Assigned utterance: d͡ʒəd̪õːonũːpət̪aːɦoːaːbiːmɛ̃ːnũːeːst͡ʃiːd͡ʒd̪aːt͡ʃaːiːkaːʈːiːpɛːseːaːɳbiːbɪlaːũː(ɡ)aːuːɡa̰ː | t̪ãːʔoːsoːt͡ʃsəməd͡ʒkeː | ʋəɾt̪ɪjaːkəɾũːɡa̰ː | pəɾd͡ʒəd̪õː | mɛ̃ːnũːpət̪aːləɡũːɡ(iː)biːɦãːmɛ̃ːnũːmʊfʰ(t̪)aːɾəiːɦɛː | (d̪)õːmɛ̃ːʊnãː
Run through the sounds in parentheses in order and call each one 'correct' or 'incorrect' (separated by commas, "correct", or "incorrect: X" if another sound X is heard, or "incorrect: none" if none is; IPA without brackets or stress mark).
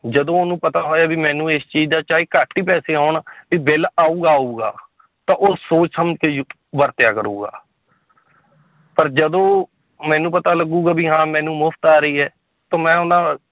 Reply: correct, incorrect: aː, correct, incorrect: t̪